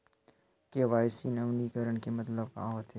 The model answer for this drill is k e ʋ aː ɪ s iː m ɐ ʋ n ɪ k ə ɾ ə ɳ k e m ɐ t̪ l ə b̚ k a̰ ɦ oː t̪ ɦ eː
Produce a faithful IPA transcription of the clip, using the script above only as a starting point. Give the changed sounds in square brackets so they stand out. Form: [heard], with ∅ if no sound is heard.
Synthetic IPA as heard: k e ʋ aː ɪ s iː [n] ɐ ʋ n [i] k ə ɾ ə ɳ k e m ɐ t̪ l ə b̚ k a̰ ɦ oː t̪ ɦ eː